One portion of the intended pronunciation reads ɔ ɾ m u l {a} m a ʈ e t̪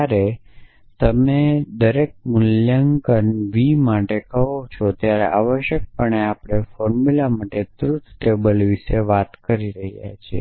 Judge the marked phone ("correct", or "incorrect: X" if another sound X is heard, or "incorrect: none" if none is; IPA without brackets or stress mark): correct